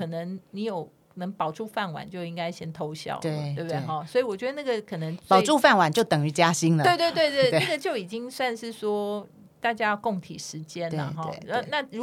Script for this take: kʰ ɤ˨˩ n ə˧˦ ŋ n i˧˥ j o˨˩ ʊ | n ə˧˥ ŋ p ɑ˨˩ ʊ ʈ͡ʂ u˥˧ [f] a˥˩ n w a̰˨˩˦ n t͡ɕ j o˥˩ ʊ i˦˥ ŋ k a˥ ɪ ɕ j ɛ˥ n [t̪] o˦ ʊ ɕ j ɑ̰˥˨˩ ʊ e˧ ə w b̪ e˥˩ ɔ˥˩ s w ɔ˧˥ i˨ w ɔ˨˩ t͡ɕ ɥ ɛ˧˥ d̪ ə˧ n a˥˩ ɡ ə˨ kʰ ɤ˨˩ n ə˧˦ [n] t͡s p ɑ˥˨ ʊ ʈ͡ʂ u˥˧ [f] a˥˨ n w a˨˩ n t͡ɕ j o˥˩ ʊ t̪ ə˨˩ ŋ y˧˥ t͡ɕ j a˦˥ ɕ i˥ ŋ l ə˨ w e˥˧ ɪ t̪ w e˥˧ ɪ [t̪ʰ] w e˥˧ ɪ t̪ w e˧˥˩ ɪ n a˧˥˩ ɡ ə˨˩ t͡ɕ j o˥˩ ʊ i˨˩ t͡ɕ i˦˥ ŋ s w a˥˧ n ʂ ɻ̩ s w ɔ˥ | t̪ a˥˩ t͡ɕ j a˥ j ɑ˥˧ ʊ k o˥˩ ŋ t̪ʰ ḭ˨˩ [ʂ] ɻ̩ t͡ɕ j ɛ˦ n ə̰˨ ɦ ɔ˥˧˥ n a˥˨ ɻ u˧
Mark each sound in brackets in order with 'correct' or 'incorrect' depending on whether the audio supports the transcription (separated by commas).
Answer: correct, incorrect, incorrect, correct, incorrect, correct